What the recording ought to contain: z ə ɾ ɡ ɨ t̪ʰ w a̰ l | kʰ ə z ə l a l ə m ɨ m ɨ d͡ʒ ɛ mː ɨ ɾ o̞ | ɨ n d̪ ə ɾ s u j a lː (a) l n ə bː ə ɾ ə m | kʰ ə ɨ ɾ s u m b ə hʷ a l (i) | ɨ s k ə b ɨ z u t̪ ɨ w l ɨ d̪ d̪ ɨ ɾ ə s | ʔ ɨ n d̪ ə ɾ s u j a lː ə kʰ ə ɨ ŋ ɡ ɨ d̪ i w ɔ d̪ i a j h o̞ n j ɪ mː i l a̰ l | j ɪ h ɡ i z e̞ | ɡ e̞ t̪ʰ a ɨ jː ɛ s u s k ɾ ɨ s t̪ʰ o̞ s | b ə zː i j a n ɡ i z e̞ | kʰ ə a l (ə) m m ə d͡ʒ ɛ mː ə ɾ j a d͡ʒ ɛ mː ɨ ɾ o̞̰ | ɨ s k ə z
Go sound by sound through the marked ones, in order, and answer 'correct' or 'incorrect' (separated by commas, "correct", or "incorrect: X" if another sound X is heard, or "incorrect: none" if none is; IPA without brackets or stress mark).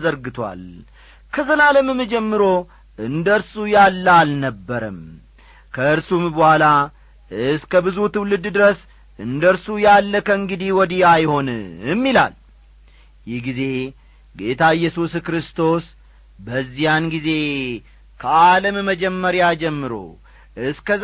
correct, incorrect: a, correct